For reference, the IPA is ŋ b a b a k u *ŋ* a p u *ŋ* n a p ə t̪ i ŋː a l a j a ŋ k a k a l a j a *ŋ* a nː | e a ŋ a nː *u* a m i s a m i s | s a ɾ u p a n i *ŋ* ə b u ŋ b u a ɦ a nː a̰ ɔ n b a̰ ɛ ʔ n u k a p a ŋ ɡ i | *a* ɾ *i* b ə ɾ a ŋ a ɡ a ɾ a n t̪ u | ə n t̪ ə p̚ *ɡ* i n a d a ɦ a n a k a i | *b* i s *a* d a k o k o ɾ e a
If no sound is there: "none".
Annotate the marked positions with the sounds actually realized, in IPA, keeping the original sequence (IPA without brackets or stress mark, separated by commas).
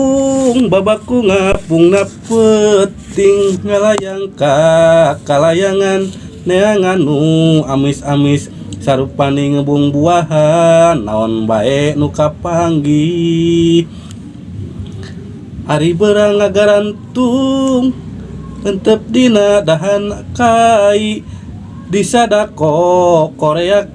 ŋ, ŋ, ŋ, u, ŋ, a, i, d, d, a